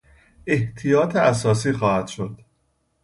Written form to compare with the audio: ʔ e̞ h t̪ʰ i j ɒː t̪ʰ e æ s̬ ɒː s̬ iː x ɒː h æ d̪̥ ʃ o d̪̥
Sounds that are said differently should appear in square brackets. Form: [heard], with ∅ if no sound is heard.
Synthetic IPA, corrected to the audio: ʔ e̞ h t̪ʰ i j ɒː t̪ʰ e æ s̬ ɒː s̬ iː x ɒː h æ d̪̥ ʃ o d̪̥